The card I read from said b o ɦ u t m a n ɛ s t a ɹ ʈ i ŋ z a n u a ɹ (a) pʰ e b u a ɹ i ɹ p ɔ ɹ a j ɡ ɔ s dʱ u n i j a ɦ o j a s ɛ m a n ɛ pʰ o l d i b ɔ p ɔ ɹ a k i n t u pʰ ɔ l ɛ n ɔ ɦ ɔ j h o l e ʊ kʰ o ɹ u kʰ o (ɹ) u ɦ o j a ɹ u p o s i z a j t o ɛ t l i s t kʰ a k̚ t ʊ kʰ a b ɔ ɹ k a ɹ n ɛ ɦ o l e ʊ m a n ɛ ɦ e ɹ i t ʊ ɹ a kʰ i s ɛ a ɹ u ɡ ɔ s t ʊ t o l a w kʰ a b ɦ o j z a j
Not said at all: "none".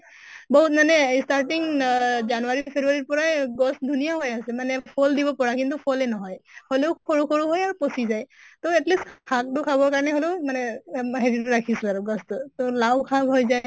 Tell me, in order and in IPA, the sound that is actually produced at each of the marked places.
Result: i, ɹ

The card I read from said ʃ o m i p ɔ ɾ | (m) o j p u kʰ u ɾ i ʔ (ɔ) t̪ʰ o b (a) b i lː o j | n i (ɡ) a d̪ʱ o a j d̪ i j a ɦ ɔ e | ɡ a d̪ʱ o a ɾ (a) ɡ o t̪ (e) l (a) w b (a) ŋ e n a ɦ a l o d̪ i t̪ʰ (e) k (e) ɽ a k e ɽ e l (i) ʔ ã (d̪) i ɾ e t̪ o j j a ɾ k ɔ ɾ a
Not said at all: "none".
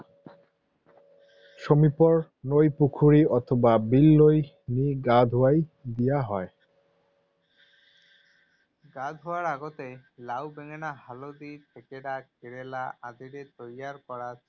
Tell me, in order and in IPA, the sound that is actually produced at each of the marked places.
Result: n, ɔ, a, ɡ, a, e, a, e, e, e, a, d̪

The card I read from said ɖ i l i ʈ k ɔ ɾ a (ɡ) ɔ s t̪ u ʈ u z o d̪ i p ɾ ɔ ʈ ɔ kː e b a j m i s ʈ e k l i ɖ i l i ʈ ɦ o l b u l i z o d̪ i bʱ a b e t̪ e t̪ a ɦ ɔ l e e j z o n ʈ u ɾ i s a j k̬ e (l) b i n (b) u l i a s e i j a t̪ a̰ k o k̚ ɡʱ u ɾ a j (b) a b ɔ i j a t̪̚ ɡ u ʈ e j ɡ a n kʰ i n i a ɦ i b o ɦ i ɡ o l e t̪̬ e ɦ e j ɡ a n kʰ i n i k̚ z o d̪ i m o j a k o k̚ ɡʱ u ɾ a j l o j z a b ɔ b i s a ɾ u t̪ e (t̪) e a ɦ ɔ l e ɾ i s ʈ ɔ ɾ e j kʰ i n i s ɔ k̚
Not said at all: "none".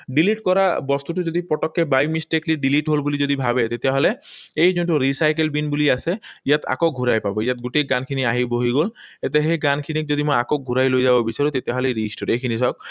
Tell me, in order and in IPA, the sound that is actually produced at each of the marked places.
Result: b, l, b, p, t̪

